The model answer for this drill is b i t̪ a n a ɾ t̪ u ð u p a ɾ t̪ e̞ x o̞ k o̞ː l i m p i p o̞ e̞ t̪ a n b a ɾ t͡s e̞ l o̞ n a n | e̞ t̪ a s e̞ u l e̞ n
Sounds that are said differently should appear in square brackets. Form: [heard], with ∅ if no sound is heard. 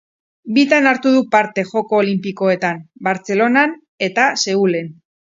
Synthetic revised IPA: b i t̪ a n a ɾ t̪ u ð u p a ɾ t̪ e̞ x o̞ k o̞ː l i m p i [k] o̞ e̞ t̪ a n b a ɾ t͡s e̞ l o̞ n a n | e̞ t̪ a s e̞ u l e̞ n